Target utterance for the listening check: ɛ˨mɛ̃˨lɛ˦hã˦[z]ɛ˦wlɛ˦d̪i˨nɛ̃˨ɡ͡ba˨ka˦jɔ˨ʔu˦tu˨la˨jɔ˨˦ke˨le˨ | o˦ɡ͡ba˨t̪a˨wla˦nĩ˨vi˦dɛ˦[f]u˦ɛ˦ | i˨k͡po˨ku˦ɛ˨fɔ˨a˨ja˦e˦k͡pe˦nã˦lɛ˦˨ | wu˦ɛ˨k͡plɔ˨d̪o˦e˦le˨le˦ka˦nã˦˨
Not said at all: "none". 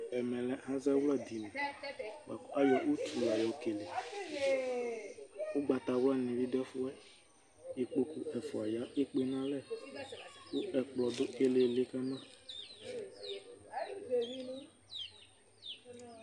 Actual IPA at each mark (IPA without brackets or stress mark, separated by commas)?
z, f